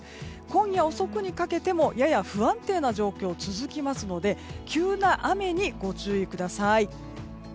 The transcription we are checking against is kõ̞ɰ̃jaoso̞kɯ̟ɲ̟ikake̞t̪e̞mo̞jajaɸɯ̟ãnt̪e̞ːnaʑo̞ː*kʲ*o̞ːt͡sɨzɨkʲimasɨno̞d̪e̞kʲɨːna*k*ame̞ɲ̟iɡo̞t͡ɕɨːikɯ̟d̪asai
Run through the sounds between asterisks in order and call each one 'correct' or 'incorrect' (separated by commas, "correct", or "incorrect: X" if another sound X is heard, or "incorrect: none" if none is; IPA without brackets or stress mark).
correct, incorrect: ʔ